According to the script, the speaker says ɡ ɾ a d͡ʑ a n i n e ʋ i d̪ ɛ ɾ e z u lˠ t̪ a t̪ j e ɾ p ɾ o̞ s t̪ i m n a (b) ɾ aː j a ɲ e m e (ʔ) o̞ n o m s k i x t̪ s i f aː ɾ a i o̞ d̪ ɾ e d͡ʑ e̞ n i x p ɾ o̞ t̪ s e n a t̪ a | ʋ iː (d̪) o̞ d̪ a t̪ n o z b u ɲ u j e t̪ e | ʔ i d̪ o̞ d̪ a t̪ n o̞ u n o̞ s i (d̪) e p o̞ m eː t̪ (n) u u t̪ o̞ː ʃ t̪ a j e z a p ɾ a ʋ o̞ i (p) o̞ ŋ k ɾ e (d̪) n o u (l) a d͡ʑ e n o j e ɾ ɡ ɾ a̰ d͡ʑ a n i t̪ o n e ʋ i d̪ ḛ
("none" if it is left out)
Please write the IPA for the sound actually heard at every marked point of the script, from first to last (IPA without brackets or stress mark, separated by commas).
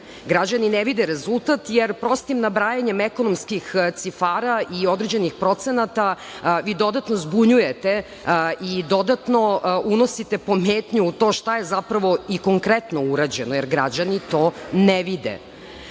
b, k, d̪, t̪, ɲ, k, t̪, ɾ